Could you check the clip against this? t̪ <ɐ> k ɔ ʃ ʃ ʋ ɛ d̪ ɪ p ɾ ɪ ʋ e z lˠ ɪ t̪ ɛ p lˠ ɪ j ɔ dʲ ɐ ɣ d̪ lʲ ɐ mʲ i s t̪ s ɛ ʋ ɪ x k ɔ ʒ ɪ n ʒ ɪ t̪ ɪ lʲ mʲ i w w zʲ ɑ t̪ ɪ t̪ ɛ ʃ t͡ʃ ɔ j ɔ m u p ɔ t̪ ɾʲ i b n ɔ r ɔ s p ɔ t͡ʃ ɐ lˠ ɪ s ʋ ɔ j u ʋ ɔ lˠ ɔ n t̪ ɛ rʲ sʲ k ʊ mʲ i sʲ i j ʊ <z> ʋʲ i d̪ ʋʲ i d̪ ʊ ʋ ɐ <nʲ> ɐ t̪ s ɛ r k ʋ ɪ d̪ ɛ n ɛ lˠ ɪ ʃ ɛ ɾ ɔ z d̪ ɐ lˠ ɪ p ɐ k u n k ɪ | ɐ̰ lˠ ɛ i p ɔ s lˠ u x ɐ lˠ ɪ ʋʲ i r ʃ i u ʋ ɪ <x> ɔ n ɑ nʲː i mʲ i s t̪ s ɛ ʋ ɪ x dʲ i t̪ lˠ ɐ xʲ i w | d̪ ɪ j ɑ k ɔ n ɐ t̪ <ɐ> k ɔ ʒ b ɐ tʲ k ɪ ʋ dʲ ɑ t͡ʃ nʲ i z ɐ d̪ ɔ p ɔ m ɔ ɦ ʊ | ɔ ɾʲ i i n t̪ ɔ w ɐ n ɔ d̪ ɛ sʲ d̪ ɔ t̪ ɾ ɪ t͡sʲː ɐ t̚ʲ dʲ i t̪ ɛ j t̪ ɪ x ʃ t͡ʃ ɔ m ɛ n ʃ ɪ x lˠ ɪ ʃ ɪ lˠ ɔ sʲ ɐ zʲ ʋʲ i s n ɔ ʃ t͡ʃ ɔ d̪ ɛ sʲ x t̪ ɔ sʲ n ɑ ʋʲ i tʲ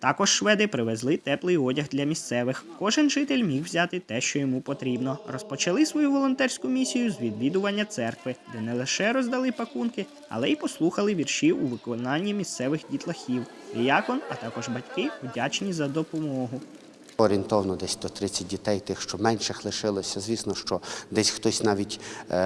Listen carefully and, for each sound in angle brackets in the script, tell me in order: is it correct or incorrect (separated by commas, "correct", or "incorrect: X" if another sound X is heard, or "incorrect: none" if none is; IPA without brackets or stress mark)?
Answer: incorrect: ɑ, correct, incorrect: nʲː, incorrect: k, incorrect: ɑ